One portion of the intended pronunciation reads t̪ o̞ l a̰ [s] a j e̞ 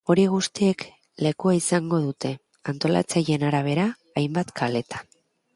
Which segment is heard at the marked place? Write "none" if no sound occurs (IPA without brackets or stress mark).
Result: t͡s